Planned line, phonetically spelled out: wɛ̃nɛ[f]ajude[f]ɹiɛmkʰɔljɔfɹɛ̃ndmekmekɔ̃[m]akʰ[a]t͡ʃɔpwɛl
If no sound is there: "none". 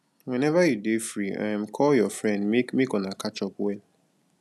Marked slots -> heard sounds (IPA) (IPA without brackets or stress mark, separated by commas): v, f, n, a